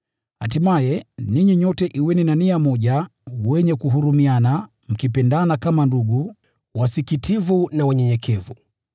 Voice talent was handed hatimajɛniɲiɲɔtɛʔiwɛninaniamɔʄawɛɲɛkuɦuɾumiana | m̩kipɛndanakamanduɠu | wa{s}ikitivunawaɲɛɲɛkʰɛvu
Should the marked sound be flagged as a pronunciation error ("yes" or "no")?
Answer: no